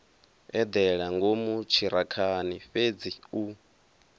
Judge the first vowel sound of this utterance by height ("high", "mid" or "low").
mid